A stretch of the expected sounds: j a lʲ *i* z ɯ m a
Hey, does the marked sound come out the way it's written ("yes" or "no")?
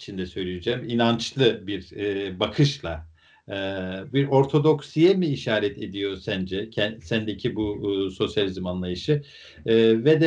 yes